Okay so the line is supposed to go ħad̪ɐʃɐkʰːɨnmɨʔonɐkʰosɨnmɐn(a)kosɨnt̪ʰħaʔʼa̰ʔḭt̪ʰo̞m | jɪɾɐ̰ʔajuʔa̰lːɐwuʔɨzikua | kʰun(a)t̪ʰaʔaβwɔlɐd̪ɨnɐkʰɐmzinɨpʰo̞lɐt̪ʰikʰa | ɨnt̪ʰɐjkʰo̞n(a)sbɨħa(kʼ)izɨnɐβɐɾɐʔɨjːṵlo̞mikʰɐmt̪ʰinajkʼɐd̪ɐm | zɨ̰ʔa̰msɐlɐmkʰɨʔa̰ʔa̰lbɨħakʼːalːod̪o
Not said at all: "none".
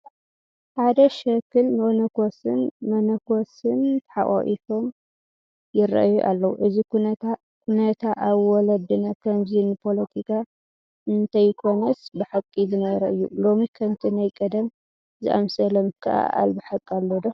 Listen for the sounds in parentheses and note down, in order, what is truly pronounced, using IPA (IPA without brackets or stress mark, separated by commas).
ɐ, ɐ, ɐ, kʼ